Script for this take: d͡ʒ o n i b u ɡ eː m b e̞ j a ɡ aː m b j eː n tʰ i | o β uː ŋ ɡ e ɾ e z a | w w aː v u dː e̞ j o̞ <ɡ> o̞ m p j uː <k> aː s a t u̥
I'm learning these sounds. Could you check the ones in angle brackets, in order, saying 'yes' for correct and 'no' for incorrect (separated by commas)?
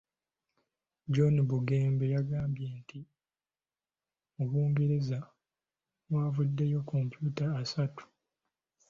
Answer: no, no